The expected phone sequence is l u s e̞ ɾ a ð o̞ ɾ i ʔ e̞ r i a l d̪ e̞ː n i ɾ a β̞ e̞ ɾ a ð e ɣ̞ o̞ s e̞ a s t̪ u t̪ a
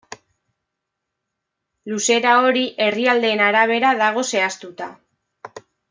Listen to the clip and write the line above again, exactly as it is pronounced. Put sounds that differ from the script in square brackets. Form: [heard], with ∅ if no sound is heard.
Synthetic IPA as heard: l u s e̞ ɾ a [∅] o̞ ɾ i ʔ e̞ r i a l d̪ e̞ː n [a] ɾ a β̞ e̞ ɾ a ð [a] ɣ̞ o̞ s e̞ a s t̪ u t̪ a